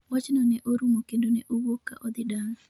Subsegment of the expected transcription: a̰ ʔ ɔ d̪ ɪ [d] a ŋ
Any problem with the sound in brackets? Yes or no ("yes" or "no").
no